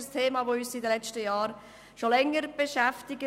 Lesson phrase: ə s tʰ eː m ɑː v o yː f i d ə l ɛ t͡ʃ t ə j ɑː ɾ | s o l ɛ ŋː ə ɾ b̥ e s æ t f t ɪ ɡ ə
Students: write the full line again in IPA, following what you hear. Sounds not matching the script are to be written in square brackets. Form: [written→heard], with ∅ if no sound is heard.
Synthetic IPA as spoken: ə s tʰ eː m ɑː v o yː [f→s] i d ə l ɛ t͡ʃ t ə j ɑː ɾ | [s→ʃ] o l ɛ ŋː ə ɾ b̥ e [s→ʃ] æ [t→∅] f t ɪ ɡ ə